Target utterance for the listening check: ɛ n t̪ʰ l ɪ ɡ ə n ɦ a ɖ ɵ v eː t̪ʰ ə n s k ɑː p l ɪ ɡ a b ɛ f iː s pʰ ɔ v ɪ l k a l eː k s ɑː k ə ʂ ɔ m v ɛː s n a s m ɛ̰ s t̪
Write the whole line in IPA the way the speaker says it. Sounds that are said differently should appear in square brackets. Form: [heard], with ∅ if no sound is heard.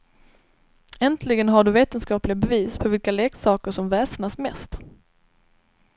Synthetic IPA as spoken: ɛ n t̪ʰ l ɪ ɡ ə n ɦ a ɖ ɵ v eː [t̪] ə n s k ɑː p l ɪ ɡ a b ɛ [v] iː s pʰ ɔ v ɪ l k a l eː k s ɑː k ə ʂ ɔ m v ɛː s n a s m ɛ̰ s t̪